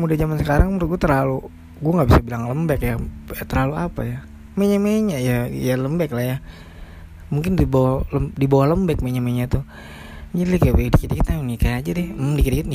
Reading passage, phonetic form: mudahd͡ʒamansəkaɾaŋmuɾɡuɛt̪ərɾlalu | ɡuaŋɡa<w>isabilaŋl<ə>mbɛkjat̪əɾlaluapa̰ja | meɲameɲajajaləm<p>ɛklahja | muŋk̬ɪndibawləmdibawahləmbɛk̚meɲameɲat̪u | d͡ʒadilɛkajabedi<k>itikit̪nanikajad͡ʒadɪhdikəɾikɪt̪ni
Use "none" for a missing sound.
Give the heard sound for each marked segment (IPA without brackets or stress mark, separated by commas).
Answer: b, ə, b, k